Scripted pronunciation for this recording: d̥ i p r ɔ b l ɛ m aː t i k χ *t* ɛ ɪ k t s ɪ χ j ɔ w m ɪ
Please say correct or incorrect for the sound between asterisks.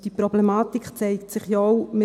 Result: incorrect